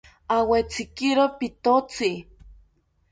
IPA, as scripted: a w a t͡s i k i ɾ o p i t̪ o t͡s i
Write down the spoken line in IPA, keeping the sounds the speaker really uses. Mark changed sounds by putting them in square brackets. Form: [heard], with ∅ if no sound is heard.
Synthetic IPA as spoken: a w [e] t͡s i k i ɾ o p i t̪ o t͡s i